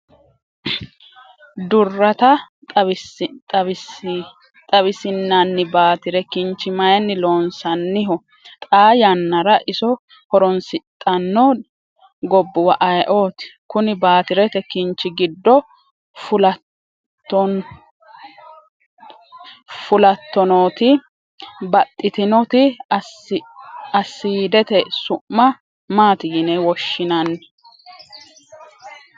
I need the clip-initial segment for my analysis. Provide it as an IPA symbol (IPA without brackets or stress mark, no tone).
d̪